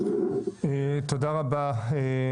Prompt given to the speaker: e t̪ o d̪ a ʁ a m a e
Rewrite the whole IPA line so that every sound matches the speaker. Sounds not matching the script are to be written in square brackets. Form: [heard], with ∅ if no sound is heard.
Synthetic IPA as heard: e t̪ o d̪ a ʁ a [b] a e